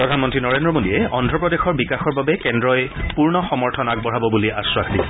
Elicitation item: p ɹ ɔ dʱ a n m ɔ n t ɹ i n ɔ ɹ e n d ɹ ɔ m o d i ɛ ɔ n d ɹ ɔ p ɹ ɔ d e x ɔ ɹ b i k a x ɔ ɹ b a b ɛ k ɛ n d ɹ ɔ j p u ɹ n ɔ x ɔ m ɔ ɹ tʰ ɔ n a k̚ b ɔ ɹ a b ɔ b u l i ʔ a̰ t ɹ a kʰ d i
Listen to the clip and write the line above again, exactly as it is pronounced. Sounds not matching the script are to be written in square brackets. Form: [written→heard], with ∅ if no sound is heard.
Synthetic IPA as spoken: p ɹ ɔ dʱ a n m ɔ n t ɹ i n ɔ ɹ e n d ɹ ɔ m o d i ɛ ɔ n d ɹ ɔ p ɹ ɔ d e x ɔ ɹ b i k a x ɔ ɹ b a b ɛ k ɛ n d ɹ ɔ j p u ɹ n ɔ x ɔ m ɔ ɹ tʰ ɔ n a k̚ b ɔ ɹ a b ɔ b u l i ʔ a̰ [t→s] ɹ a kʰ d i